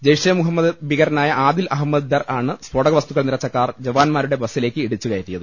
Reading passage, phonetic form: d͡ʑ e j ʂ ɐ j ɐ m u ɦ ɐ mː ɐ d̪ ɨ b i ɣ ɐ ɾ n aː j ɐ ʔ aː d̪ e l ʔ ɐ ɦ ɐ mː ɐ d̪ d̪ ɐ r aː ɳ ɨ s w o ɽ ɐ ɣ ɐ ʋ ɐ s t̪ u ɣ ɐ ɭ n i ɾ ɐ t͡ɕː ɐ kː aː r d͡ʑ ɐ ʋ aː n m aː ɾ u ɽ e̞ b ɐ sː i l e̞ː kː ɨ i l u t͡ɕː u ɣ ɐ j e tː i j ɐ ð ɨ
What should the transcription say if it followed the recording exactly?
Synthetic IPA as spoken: d͡ʑ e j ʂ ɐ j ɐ m u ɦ ɐ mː ɐ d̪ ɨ b i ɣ ɐ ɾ n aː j ɐ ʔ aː d̪ i l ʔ ɐ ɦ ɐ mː ɐ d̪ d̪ ɐ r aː ɳ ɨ s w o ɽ ɐ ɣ ɐ ʋ ɐ s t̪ u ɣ ɐ ɭ n i ɾ ɐ t͡ɕː ɐ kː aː r d͡ʑ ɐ ʋ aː n m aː ɾ u ɽ e̞ b ɐ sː i l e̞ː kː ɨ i ɽ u t͡ɕː u ɣ ɐ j e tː i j ɐ ð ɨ